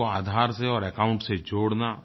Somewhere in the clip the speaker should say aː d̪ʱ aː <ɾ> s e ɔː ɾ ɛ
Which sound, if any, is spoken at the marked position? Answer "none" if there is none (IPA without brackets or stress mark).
ɾ